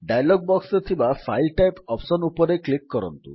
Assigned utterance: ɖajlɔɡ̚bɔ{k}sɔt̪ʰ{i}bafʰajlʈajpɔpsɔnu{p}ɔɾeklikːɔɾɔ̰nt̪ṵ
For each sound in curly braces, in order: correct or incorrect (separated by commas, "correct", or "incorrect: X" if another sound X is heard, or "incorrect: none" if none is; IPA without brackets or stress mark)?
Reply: correct, correct, correct